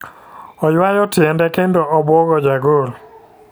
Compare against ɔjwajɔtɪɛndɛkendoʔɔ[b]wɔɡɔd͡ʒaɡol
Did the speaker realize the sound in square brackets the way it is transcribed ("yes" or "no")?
yes